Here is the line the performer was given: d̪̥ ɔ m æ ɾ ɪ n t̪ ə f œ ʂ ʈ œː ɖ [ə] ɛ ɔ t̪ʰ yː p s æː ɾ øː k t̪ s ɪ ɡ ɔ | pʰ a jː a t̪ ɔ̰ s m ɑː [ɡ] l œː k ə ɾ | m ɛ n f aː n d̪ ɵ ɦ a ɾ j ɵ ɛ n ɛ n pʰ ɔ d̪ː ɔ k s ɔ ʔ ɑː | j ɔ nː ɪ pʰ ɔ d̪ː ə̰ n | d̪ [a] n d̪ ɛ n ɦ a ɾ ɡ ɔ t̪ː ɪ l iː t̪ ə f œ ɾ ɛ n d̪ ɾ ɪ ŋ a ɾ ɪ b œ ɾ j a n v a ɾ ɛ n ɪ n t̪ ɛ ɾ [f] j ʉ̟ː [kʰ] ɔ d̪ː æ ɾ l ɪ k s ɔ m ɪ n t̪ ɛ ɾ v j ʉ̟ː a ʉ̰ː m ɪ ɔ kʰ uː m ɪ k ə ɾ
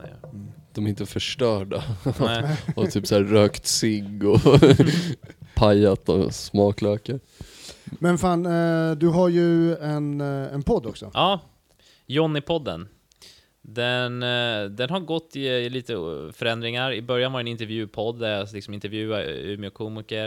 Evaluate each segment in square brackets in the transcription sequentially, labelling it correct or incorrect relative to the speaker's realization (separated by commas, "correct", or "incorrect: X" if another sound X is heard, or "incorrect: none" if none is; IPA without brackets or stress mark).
incorrect: a, incorrect: k, incorrect: ɛ, incorrect: v, incorrect: pʰ